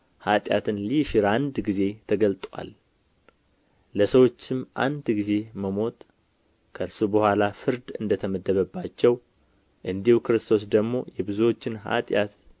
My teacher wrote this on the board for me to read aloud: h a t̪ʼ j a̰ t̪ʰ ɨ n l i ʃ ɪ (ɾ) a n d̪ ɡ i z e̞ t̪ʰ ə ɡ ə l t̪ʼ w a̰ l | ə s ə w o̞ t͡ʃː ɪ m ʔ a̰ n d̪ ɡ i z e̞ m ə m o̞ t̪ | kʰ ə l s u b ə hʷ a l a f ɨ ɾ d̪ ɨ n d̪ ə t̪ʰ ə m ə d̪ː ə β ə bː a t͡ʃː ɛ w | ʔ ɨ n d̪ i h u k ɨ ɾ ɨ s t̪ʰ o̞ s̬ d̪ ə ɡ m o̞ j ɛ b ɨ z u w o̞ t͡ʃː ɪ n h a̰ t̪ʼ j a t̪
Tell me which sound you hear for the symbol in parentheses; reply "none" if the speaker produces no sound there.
ɾ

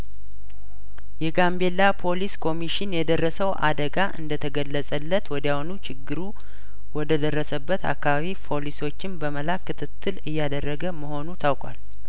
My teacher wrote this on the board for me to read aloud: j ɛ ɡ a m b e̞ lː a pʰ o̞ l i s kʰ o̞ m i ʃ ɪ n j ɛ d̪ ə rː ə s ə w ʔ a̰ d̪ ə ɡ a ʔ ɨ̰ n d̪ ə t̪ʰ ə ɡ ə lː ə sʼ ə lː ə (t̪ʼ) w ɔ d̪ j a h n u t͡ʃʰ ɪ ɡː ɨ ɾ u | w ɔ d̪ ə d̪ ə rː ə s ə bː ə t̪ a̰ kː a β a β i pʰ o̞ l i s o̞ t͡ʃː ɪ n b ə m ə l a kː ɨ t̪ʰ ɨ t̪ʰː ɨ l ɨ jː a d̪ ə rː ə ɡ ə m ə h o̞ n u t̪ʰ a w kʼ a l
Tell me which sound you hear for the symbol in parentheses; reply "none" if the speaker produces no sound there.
t̪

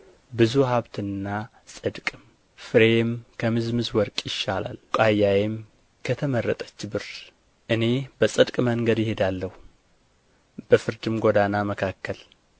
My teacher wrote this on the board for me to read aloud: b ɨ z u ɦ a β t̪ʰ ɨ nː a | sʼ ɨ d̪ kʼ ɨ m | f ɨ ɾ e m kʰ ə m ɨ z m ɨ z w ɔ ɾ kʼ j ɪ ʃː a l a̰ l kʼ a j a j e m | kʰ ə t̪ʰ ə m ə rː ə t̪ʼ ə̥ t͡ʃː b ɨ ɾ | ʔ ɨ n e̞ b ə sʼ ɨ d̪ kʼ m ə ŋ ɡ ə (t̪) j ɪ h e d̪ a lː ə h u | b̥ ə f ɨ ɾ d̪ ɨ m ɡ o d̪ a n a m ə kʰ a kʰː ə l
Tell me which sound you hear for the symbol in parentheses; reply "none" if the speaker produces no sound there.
d̪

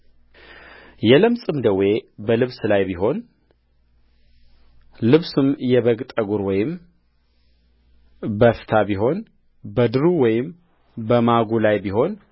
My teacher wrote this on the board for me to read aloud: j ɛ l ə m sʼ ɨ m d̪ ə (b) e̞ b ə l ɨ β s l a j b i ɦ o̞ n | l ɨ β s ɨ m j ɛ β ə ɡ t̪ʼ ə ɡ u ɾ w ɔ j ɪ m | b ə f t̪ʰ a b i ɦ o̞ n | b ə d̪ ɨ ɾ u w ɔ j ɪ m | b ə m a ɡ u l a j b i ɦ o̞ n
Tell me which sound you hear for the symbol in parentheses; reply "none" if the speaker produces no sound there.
w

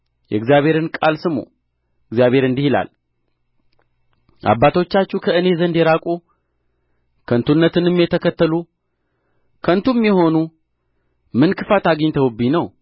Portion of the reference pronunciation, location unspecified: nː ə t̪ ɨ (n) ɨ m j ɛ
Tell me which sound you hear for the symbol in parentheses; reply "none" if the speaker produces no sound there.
n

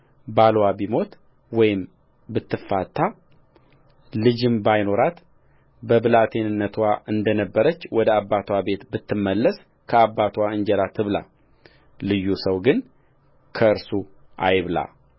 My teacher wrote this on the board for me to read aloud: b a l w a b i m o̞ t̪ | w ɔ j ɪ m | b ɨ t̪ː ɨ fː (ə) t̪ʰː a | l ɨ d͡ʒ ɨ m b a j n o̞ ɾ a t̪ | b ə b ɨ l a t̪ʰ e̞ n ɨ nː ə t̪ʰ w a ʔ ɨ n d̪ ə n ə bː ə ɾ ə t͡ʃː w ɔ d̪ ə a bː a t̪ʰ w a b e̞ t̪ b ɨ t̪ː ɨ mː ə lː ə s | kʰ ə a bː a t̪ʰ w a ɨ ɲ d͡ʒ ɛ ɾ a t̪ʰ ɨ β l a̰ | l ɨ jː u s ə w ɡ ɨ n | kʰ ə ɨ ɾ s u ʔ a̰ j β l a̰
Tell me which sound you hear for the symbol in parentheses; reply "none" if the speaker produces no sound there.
a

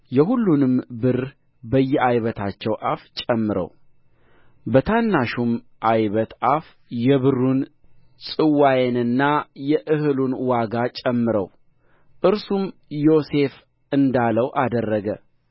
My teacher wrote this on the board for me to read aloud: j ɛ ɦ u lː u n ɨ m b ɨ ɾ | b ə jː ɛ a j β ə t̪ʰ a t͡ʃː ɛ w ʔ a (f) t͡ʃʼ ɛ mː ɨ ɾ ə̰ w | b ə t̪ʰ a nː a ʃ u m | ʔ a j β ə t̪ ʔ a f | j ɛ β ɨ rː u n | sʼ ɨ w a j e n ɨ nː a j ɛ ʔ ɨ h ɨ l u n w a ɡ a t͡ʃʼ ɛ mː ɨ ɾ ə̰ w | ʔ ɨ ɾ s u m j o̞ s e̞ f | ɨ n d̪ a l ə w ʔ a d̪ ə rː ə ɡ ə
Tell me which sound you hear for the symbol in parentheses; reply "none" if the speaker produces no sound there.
f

